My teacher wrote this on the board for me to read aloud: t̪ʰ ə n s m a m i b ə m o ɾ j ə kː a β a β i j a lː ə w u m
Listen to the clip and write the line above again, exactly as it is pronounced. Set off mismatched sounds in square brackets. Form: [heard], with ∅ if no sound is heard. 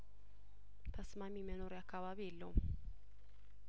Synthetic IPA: t̪ʰ ə [∅] s m a m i [m] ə [n] o ɾ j [a] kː a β a β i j [ɛ] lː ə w u m